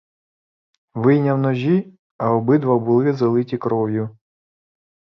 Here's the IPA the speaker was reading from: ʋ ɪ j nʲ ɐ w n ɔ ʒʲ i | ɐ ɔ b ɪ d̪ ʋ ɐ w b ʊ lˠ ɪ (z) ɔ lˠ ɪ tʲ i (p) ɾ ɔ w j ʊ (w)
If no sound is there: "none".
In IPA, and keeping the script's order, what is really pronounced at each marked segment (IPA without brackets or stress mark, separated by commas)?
z, k, none